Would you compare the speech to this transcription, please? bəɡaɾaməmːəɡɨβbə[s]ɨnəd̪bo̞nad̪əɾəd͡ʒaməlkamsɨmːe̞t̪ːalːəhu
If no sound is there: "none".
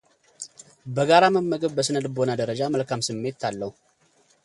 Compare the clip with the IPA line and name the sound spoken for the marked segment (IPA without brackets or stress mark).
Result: s